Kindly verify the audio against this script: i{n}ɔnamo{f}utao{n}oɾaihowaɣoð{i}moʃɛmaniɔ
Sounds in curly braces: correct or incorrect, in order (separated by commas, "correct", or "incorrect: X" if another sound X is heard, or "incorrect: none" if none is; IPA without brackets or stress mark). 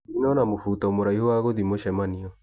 correct, correct, incorrect: m, correct